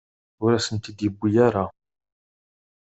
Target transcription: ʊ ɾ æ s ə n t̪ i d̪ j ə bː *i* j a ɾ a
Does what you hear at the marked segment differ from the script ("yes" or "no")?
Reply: no